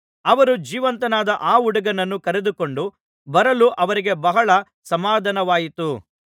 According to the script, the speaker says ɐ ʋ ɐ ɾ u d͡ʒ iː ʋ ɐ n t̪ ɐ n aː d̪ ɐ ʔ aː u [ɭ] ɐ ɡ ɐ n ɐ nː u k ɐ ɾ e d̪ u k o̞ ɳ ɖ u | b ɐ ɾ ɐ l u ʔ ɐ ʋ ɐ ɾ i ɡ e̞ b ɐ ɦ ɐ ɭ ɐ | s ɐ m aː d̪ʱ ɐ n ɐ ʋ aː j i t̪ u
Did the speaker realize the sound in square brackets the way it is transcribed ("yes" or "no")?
no